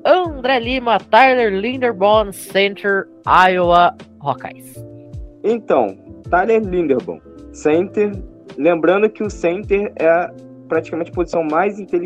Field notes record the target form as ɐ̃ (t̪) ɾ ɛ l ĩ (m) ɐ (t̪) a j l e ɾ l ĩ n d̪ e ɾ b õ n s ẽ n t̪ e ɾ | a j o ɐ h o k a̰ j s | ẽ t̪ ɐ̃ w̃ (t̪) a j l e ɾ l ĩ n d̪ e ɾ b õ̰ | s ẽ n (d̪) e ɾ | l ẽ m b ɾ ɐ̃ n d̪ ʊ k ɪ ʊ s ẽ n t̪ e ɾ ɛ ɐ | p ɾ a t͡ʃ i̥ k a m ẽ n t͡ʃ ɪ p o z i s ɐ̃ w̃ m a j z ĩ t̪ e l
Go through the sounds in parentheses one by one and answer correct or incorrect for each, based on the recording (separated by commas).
incorrect, correct, correct, correct, incorrect